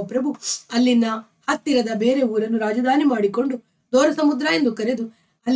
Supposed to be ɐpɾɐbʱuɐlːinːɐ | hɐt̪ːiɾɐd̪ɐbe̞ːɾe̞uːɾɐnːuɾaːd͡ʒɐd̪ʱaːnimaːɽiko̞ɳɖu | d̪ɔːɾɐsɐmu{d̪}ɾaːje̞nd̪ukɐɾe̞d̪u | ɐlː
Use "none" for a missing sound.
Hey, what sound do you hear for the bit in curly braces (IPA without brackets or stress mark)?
d̪